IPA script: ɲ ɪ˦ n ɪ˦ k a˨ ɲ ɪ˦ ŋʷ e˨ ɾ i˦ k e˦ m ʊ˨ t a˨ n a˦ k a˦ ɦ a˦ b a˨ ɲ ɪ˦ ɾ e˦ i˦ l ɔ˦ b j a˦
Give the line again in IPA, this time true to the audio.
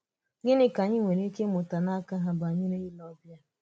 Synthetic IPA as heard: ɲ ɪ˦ n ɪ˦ k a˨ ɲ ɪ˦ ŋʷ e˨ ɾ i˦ k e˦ m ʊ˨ t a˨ n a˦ k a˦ ɦ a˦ b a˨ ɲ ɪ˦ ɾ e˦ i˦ l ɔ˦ b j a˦